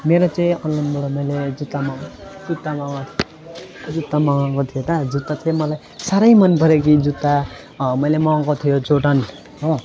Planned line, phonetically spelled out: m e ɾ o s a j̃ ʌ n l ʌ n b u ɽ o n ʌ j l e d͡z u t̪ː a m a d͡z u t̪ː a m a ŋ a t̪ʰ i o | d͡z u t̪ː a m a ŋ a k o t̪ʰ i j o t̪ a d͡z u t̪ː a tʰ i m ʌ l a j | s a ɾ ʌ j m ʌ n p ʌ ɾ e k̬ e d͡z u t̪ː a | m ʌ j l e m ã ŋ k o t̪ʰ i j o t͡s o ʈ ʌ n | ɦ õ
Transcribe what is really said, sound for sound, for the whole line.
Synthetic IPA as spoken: m e ɾ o t͡s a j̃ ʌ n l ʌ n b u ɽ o m ʌ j l e d͡z u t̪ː a m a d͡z u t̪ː a m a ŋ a t̪ʰ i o | d͡z u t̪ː a m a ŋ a k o t̪ʰ i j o t̪ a d͡z u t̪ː a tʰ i m ʌ l a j | s a ɾ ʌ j m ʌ n p ʌ ɾ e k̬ i d͡z u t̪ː a | m ʌ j l e m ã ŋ k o t̪ʰ i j o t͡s o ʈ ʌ n | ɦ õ

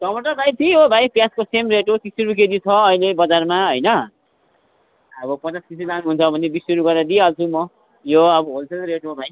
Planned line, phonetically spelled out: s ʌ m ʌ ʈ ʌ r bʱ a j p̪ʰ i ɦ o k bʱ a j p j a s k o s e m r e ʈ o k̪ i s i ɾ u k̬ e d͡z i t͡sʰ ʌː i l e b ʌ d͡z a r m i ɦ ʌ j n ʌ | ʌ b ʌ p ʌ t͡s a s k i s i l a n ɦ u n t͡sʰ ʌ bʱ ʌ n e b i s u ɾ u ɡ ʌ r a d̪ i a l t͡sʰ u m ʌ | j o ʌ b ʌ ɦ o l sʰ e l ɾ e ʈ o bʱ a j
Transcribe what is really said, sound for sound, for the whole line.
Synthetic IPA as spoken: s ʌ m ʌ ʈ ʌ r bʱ a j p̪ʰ i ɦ o bʱ a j p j a s k o s e m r e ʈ o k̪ i s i ɾ u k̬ e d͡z i t͡sʰ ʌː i l e b ʌ d͡z a r m a ɦ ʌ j n ʌ | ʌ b ʌ p ʌ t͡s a s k i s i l a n ɦ u n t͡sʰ ʌ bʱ ʌ n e b i s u ɾ u ɡ ʌ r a d̪ i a l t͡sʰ u m ʌ | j o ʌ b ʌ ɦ o l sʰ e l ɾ e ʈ o bʱ a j

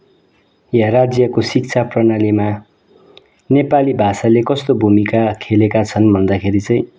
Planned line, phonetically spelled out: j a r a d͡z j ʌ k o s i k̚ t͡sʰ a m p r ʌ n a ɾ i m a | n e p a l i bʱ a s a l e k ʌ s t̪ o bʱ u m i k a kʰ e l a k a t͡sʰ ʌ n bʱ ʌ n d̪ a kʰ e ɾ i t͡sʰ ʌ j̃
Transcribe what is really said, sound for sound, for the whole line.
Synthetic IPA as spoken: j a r a d͡z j ʌ k o s i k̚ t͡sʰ a p r ʌ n a l i m a | n e p a l i bʱ a s a l e k ʌ s t̪ o bʱ u m i k a kʰ e l e k a t͡sʰ ʌ n bʱ ʌ n d̪ a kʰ e ɾ i t͡s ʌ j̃

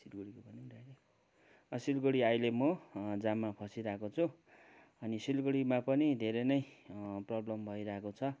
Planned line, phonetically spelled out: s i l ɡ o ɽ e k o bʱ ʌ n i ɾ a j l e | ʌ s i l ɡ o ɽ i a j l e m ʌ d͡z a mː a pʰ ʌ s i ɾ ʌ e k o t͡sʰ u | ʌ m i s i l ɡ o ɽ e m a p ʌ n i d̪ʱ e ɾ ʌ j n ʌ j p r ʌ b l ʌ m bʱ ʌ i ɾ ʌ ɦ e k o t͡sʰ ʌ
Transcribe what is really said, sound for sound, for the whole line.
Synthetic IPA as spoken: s i l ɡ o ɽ i k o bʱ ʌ n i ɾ a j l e | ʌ s i l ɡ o ɽ i a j l e m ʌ d͡z a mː a pʰ ʌ s i ɾ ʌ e k o t͡sʰ u | ʌ n i s i l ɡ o ɽ i m a p ʌ n i d̪ʱ e ɾ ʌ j n ʌ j p r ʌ b l ʌ m bʱ ʌ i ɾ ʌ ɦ e k o t͡sʰ ʌ

